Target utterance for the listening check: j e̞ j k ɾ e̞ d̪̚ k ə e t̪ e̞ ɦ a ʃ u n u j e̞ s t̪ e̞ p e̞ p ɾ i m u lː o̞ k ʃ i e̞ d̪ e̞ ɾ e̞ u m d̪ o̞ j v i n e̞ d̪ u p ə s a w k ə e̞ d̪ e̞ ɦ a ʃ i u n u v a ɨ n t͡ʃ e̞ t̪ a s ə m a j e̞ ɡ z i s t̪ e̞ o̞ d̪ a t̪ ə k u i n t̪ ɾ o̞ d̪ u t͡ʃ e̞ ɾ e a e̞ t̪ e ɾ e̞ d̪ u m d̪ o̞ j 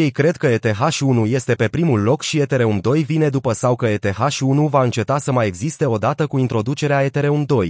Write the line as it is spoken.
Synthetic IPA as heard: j e̞ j k ɾ e̞ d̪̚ k ə e t̪ e̞ ɦ a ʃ u n u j e̞ s t̪ e̞ p e̞ p ɾ i m u lː o̞ k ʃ i e̞ t̪ e̞ ɾ e̞ u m d̪ o̞ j v i n e̞ d̪ u p ə s a w k ə e̞ t̪ e̞ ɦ a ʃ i u n u v a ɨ n t͡ʃ e̞ t̪ a s ə m a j e̞ ɡ z i s t̪ e̞ o̞ d̪ a t̪ ə k u i n t̪ ɾ o̞ d̪ u t͡ʃ e̞ ɾ e a e̞ t̪ e ɾ e̞ u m d̪ o̞ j